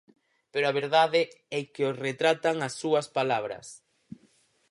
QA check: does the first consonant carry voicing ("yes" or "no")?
no